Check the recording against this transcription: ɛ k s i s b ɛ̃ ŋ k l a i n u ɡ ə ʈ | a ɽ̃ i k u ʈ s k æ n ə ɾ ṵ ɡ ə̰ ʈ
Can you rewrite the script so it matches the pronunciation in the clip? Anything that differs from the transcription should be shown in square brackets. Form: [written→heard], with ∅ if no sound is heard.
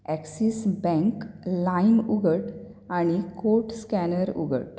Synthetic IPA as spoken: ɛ k s i s b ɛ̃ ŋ k l a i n u ɡ ə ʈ | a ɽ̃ i k [u→o] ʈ s k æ n ə ɾ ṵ ɡ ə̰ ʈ